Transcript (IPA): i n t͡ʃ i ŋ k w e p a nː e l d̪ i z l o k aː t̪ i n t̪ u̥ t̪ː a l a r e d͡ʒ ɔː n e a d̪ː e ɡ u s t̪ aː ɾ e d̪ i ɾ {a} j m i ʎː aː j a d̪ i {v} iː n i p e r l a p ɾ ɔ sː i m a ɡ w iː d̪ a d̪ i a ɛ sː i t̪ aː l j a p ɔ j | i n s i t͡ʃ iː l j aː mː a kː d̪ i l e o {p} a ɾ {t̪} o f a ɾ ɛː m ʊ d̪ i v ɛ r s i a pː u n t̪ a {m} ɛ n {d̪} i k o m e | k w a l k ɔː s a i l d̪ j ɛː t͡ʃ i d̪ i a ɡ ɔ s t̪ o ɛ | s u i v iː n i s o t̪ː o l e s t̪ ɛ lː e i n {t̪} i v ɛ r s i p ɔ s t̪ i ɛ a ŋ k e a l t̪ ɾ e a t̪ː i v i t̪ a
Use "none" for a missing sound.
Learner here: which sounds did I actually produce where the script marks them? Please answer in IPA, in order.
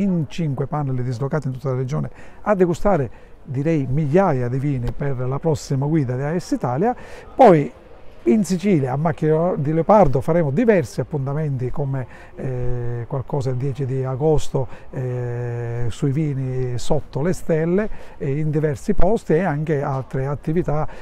ɛ, v, p, d̪, m, t̪, d̪

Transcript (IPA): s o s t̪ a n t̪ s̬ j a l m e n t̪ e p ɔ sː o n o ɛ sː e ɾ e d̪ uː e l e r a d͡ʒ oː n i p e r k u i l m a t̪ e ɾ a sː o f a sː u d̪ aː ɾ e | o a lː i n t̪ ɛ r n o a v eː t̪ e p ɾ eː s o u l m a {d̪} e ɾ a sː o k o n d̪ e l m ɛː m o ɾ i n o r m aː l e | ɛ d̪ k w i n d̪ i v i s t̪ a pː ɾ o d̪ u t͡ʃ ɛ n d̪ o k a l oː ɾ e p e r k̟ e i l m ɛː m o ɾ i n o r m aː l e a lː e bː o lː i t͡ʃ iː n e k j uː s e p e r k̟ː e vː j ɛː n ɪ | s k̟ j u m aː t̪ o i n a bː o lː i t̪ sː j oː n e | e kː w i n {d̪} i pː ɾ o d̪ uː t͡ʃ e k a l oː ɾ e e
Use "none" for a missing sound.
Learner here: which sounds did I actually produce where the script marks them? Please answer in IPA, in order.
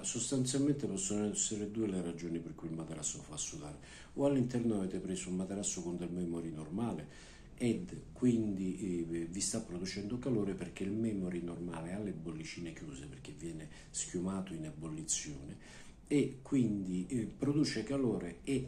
t̪, d̪

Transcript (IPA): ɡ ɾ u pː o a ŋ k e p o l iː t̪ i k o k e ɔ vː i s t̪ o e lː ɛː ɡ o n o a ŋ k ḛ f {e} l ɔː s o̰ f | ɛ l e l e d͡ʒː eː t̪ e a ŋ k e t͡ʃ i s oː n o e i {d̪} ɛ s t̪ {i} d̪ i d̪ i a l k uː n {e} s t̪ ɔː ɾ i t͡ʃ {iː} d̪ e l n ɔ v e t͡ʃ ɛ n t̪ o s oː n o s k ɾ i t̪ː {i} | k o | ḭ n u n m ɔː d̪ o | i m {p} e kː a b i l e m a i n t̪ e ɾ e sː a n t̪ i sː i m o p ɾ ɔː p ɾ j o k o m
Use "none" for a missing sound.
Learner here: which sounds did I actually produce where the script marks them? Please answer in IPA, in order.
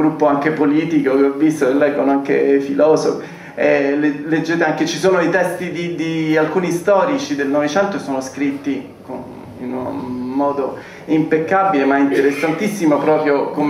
i, t̪, i, i, i, i, p

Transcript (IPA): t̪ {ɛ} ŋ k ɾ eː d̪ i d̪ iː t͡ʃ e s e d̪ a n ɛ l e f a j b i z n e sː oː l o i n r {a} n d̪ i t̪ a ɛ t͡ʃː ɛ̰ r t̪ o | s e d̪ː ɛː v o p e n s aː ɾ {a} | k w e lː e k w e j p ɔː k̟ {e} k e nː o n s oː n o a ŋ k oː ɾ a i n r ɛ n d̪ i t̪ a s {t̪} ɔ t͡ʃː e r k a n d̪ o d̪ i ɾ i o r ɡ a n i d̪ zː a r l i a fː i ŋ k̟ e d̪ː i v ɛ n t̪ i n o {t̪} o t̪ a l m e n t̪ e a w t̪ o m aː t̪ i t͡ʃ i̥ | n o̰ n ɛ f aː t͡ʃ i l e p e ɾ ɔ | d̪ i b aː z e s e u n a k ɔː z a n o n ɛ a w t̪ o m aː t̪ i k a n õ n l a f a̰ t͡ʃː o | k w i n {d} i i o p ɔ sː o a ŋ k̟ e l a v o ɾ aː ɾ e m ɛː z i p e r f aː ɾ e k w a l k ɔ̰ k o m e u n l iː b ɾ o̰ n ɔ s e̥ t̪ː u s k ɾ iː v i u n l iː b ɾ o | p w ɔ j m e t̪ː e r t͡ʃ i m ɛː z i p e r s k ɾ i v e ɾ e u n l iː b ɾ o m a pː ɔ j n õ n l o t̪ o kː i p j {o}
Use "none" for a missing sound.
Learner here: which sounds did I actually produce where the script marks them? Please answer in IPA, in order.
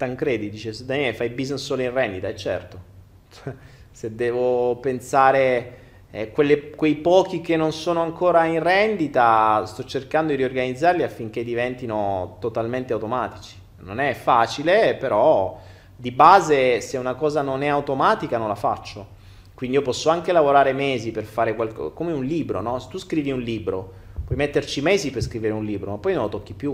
a, ɛ, e, i, t̪, t̪, d, u

